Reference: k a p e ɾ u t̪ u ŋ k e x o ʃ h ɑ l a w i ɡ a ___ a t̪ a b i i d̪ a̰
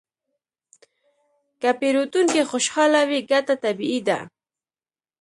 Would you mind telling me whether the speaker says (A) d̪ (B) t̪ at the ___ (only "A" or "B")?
B